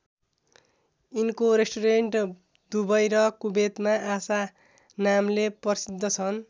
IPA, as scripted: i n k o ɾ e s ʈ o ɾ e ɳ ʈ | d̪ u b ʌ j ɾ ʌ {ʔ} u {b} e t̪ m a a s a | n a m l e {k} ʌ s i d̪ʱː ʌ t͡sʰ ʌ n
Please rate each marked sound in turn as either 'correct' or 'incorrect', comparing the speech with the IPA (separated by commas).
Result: incorrect, correct, incorrect